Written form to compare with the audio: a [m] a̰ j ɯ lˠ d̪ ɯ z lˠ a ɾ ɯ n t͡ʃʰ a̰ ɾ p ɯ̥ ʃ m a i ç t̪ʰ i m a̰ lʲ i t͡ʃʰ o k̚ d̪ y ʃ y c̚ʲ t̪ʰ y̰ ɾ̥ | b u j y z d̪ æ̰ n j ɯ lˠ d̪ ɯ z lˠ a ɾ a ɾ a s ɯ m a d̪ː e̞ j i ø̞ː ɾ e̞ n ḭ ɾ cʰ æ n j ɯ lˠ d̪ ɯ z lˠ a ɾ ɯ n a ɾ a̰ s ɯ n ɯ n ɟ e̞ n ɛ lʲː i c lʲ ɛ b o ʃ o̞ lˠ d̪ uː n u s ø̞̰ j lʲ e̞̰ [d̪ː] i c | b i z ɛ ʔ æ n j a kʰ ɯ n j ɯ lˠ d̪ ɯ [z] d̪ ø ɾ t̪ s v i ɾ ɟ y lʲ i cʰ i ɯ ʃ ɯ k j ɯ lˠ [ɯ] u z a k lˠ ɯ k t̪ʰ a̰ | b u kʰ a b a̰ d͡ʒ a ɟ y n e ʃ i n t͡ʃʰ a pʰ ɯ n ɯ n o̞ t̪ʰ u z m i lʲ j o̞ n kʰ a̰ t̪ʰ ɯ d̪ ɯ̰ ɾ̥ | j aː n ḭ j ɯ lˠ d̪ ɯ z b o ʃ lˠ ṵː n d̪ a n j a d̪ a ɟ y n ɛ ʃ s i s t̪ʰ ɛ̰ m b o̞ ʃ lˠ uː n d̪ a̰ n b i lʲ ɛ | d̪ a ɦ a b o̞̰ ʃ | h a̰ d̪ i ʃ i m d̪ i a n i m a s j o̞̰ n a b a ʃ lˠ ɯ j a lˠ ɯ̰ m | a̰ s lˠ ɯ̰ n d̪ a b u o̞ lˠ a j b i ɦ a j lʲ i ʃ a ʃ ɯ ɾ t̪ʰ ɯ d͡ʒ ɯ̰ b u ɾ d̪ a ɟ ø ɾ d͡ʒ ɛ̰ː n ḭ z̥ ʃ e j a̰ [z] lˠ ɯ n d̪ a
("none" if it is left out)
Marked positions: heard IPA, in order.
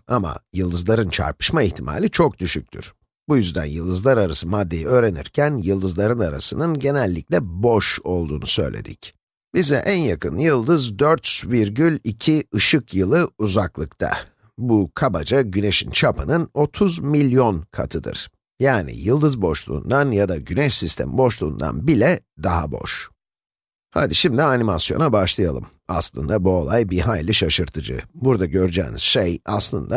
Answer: m, d̪, z, ɯ, s

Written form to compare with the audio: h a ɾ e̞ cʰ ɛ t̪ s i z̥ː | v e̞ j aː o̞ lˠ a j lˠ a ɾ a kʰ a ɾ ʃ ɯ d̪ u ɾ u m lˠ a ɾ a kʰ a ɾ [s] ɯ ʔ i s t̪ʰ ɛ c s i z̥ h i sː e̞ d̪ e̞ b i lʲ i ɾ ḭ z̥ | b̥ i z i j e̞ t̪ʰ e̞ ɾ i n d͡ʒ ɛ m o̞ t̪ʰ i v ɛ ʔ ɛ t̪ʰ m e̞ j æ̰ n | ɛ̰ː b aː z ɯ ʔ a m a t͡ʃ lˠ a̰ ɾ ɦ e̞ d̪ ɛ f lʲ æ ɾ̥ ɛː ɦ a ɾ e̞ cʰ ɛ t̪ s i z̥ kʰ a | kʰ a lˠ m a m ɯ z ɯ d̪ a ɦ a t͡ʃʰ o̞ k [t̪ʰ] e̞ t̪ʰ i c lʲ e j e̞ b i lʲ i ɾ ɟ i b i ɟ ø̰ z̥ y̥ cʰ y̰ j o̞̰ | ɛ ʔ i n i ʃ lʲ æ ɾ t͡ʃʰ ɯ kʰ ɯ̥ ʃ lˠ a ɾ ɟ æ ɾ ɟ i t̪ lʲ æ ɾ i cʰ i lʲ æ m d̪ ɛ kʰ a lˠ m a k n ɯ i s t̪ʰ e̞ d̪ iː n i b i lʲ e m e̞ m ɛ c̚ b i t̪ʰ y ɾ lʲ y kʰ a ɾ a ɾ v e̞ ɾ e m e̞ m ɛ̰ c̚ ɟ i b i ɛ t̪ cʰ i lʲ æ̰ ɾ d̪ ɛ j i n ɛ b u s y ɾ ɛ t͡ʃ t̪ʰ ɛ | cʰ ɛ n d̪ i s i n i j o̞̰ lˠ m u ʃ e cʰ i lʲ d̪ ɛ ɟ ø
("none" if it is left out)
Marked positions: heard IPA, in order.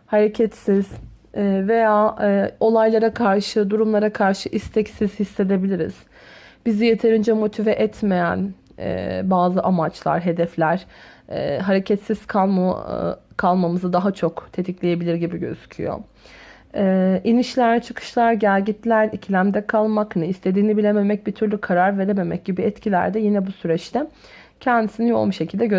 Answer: ʃ, t̪ʰ

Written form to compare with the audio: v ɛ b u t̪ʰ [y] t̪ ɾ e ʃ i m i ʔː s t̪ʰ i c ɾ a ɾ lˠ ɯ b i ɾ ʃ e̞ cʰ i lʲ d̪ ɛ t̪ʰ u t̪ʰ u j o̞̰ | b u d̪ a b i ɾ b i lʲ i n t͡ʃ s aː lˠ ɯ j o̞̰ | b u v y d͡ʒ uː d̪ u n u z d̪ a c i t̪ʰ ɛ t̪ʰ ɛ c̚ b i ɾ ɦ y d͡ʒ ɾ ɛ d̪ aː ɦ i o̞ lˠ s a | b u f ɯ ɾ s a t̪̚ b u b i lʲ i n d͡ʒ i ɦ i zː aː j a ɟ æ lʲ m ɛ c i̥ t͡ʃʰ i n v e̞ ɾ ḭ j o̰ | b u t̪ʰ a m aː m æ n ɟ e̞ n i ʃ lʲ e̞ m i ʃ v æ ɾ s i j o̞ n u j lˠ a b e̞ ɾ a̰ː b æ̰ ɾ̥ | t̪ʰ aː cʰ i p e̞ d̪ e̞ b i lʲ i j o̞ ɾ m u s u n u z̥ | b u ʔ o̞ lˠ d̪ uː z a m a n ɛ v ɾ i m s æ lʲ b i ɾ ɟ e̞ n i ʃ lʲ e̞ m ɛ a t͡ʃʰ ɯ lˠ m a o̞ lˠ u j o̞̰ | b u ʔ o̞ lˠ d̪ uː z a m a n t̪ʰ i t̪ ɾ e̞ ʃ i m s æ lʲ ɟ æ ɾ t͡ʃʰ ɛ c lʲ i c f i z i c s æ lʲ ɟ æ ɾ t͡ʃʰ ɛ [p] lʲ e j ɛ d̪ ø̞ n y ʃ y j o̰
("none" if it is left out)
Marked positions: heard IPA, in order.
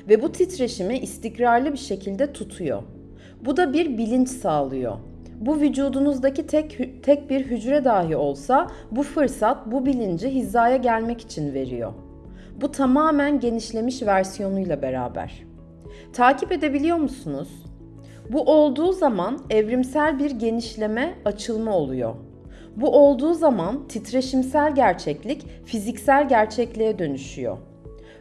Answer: i, c

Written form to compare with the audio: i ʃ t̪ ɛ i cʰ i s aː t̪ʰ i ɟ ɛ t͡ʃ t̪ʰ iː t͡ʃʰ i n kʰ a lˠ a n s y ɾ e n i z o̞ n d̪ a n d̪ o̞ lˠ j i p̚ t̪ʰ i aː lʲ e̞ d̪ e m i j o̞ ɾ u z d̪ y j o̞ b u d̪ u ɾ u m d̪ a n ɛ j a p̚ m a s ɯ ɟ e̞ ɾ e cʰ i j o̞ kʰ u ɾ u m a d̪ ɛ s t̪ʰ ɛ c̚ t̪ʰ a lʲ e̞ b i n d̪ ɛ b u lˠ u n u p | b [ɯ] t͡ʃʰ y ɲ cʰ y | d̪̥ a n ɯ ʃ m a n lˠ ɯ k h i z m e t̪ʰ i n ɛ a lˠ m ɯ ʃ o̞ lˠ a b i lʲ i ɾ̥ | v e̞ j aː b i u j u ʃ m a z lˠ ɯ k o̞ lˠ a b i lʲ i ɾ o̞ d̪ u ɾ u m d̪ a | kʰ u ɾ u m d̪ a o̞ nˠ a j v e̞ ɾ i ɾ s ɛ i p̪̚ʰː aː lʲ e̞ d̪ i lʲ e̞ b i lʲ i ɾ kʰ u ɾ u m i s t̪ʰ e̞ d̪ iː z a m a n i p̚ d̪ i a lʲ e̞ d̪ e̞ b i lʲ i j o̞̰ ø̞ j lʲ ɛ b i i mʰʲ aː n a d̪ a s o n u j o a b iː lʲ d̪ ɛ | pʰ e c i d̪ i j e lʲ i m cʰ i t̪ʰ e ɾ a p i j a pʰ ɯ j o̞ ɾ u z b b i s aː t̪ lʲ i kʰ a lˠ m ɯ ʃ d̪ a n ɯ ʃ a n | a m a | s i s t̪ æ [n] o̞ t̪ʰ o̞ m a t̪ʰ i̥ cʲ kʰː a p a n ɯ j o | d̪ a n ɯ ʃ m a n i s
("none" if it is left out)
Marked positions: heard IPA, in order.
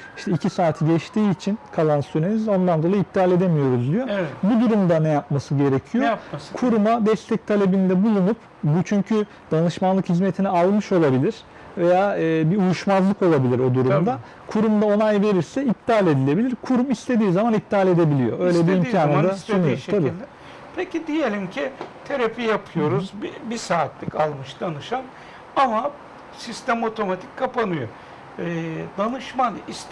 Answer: u, m

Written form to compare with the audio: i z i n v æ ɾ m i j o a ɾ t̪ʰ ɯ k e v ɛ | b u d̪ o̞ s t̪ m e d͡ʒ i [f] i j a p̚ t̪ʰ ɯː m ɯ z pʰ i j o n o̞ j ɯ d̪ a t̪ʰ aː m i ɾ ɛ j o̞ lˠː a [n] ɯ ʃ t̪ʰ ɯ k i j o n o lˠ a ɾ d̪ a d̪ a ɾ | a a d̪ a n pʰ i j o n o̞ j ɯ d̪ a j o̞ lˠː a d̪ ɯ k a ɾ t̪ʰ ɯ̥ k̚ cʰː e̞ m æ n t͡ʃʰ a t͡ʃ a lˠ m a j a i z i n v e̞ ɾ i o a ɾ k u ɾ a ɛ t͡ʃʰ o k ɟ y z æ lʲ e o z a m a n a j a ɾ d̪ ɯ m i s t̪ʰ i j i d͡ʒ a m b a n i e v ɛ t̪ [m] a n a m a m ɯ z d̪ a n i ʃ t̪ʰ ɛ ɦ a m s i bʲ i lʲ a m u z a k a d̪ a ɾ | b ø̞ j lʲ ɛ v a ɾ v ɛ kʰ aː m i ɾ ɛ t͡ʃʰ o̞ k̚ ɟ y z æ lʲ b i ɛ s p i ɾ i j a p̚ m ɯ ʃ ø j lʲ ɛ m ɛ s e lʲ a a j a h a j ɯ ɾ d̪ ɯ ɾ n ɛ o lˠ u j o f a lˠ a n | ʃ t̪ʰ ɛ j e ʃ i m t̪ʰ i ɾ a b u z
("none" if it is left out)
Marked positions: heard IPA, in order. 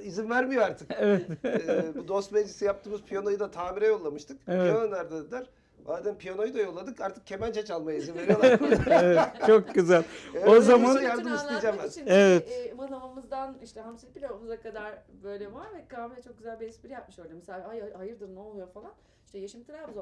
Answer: s, m, m

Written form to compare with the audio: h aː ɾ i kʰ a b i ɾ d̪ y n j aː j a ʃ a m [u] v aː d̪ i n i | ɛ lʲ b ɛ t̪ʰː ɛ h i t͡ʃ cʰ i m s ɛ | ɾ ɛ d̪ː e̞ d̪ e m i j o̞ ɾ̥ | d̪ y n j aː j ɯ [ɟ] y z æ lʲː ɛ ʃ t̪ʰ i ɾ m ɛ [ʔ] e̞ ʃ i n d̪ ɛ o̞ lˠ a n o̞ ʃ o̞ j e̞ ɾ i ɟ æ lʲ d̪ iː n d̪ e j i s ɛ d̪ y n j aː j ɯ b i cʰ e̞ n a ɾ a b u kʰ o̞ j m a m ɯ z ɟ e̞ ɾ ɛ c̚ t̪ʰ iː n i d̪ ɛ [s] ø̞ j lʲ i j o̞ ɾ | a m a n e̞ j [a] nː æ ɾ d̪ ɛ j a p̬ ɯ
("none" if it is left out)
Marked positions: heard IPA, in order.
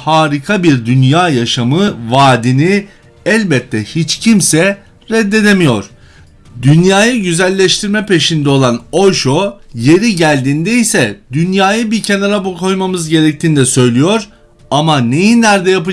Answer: ɯ, ɟ, p, s, i

